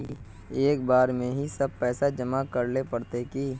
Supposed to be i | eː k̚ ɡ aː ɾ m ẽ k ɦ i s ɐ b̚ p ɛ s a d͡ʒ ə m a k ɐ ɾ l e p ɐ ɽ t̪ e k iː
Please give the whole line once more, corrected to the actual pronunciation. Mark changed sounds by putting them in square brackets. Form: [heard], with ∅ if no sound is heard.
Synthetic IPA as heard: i | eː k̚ [b] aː ɾ m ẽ [∅] ɦ i s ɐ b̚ p [ɛː] s a d͡ʒ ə m a k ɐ ɾ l e p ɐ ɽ t̪ e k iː

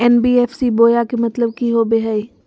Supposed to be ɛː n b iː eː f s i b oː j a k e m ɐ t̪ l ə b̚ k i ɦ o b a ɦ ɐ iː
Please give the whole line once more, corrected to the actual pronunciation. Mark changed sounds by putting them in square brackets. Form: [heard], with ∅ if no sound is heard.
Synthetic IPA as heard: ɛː n b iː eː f s i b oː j a k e m ɐ t̪ l ə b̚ k i ɦ o b [e] ɦ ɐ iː

